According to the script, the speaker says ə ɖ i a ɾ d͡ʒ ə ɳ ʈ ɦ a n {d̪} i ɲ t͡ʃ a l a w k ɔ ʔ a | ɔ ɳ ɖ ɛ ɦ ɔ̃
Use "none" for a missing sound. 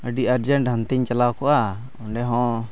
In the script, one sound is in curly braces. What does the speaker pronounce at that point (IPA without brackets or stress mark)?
t̪